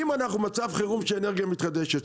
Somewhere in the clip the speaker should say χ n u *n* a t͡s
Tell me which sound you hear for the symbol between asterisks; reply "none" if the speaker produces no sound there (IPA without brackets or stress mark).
m